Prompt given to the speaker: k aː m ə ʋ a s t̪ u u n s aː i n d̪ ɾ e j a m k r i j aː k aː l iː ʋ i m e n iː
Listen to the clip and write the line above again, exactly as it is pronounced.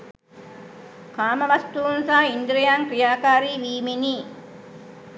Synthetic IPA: k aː m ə ʋ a s t̪ u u n s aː i n d̪ ɾ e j a ŋ k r i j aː k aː ɾ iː ʋ iː m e n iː

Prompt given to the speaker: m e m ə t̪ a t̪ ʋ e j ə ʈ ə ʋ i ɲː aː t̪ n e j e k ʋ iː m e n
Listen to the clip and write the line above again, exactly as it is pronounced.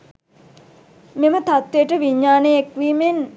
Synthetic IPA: m e m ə t̪ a t̪ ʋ e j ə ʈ ə ʋ i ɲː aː n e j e k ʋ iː m e n

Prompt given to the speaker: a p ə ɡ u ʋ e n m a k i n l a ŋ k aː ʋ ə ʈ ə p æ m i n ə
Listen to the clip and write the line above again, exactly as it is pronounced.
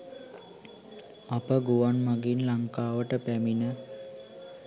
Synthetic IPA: a p ə ɡ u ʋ a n m a ɡ i n l a ŋ k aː ʋ ə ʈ ə p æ m i n ə

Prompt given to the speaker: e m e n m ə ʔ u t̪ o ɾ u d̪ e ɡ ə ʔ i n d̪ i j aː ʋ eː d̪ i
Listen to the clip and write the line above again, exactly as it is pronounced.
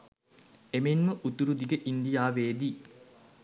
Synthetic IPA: e m e n m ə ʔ u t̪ u ɾ u d̪ i ɡ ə ʔ i n d̪ i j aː ʋ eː d̪ i

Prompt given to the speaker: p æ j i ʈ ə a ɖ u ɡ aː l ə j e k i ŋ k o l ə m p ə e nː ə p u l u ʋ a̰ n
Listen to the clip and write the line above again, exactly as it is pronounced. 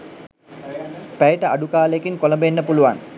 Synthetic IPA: p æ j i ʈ ə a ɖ u k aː l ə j e k i ŋ k o l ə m b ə e nː ə p u l u ʋ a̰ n

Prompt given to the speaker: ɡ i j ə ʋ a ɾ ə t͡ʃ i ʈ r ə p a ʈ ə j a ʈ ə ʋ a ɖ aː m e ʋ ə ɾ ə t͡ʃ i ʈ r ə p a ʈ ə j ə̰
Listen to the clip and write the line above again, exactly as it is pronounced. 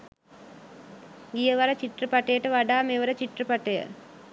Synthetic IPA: ɡ i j ə ʋ a ɾ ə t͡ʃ i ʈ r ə p a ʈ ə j ə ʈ ə ʋ a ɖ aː m e ʋ ə ɾ ə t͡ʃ i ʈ r ə p a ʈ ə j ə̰

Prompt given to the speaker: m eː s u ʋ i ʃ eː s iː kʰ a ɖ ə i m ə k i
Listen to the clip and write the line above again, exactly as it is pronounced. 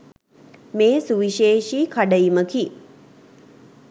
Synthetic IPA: m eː s u ʋ i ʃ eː ʃ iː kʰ a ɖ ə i m ə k i

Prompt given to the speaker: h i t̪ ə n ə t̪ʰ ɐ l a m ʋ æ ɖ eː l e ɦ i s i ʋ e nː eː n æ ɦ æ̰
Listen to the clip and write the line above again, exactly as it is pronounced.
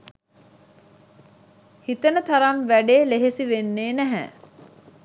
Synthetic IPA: h i t̪ ə n ə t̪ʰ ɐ ɾ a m ʋ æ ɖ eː l e ɦ e s i ʋ e nː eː n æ ɦ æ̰

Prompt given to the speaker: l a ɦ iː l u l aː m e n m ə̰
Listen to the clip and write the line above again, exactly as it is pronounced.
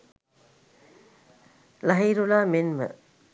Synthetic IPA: l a ɦ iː ɾ u l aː m e n m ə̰

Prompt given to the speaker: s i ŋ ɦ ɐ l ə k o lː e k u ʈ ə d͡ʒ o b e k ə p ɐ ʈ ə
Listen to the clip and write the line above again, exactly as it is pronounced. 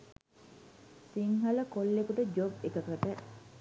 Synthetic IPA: s i ŋ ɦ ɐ l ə k o lː e k u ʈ ə d͡ʒ o b e k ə k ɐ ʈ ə

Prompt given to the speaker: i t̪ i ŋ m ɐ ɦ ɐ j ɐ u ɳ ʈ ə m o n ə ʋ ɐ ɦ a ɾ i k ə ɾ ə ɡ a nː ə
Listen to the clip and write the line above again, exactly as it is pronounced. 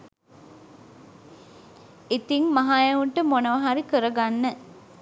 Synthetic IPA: i t̪ i ŋ m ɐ ɦ a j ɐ u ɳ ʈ ə m o n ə ʋ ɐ ɦ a ɾ i k ə ɾ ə ɡ a nː ə

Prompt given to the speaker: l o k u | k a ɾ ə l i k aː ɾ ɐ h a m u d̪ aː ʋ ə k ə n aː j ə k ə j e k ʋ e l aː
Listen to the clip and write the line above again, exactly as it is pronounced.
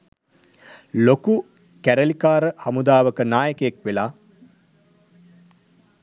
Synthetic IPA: l o k u | k æ ɾ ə l i k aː ɾ ə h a m u d̪ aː ʋ ə k ə n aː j ə k ə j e k ʋ e l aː

